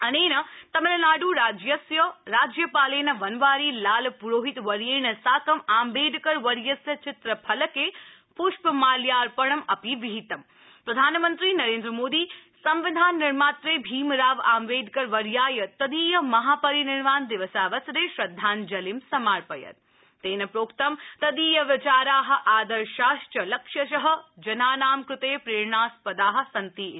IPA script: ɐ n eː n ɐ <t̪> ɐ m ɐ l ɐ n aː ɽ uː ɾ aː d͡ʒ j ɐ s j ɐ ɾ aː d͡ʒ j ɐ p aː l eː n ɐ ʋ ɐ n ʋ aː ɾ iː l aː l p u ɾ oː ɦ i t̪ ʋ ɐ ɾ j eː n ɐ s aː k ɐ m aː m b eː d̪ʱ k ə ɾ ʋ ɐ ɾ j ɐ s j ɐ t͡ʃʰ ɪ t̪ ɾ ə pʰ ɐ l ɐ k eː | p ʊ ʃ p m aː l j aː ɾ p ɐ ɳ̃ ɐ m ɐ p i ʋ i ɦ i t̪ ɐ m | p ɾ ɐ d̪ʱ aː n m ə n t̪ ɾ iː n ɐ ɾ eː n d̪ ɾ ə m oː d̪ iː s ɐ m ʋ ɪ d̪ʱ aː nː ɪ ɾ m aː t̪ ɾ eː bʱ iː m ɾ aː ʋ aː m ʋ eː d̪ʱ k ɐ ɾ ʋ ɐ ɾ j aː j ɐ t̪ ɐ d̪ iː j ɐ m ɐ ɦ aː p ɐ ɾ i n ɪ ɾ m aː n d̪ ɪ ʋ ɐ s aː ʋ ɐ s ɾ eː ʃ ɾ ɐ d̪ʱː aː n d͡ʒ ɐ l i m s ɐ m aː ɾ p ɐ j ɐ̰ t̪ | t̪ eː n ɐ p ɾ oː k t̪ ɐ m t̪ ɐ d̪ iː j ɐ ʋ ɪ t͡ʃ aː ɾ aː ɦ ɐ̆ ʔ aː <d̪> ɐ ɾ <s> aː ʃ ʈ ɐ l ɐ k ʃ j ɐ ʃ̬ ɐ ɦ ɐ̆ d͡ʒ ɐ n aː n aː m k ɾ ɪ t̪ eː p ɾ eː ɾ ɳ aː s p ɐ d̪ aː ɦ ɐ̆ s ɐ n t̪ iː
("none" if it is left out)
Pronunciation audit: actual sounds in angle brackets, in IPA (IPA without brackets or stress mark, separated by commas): t̪, d̪, ʃ